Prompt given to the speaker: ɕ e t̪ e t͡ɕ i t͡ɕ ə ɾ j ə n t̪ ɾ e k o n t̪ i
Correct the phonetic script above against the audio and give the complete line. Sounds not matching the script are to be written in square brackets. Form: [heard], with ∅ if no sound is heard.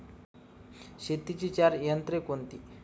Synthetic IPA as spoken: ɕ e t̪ [i] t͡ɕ i t͡ɕ [a] ɾ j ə n t̪ ɾ e k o n t̪ i